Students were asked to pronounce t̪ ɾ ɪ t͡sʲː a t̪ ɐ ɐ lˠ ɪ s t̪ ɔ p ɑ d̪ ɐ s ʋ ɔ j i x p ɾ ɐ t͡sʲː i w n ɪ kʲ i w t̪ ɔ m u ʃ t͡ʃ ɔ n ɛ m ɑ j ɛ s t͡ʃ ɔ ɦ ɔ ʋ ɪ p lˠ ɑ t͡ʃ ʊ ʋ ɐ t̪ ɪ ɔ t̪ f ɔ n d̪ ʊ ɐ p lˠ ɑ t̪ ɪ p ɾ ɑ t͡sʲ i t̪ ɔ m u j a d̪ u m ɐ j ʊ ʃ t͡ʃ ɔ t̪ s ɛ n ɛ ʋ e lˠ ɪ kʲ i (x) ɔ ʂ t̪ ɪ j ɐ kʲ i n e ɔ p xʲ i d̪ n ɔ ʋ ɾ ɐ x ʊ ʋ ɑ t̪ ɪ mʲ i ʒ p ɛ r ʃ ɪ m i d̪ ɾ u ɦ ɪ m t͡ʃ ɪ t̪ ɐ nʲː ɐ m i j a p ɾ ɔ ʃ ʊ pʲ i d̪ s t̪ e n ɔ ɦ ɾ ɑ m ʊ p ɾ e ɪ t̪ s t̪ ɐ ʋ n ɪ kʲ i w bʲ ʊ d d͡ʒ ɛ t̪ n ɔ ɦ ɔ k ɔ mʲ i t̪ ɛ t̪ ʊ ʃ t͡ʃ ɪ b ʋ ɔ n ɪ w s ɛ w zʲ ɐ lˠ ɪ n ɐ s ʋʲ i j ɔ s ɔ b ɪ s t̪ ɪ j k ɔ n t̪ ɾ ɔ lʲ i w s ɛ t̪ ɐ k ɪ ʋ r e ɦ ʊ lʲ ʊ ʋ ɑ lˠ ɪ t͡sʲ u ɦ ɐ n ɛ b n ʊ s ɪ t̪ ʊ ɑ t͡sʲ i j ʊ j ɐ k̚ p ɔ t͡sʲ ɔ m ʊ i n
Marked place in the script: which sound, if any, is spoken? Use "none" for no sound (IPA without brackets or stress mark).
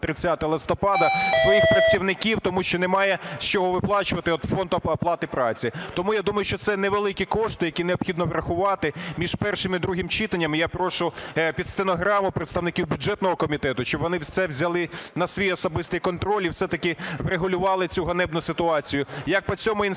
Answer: k